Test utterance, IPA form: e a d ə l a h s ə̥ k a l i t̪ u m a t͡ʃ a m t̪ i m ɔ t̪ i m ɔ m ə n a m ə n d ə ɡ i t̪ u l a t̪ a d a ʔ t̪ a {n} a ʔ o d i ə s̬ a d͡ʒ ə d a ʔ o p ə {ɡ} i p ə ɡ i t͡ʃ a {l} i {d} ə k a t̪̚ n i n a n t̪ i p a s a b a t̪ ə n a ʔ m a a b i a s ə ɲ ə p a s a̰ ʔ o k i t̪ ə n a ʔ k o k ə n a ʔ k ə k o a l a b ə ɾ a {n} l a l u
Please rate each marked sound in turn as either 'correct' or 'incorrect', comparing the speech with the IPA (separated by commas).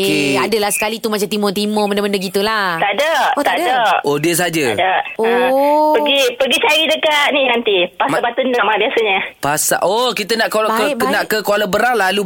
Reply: incorrect, correct, incorrect, correct, incorrect